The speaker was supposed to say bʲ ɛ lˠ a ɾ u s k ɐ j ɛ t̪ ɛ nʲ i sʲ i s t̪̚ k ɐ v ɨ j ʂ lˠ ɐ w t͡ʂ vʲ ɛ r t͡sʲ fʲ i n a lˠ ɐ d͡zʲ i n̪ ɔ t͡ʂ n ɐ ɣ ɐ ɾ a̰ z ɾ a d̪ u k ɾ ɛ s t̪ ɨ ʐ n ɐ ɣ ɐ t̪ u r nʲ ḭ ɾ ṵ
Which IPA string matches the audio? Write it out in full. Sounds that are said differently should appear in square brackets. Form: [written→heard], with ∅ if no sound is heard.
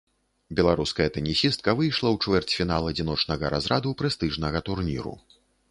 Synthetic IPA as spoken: bʲ ɛ lˠ a ɾ u s k ɐ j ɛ t̪ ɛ nʲ i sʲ i s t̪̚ k ɐ v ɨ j ʂ lˠ ɐ w t͡ʂ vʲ ɛ r t͡sʲ fʲ i n a lˠ ɐ d͡zʲ i n̪ ɔ t͡ʂ n ɐ ɣ ɐ ɾ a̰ z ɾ a d̪ u [k→p] ɾ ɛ s t̪ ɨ ʐ n ɐ ɣ ɐ t̪ u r nʲ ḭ ɾ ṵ